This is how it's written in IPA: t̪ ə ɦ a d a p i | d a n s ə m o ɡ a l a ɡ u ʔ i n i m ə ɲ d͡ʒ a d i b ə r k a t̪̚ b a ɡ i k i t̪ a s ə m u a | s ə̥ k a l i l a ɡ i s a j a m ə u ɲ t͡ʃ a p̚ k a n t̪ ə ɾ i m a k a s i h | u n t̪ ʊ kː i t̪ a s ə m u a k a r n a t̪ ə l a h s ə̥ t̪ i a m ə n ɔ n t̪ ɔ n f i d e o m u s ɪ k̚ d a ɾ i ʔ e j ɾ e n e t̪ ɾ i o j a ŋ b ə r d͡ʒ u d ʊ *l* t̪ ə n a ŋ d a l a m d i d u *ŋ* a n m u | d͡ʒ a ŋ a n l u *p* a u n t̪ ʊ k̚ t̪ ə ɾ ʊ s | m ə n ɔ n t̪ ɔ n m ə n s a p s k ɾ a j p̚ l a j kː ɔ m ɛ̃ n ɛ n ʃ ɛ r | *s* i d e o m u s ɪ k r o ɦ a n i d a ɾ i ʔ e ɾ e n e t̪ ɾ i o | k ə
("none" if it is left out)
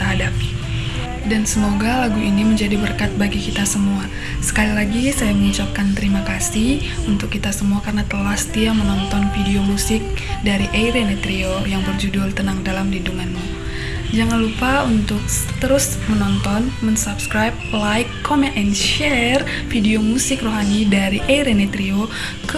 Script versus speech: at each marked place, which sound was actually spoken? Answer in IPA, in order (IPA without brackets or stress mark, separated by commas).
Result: l, ŋ, p, f